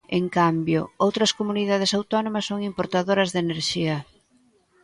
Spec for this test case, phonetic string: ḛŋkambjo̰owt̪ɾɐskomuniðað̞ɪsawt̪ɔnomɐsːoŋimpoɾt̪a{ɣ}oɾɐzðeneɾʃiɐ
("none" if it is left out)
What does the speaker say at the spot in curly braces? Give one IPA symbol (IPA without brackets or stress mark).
ð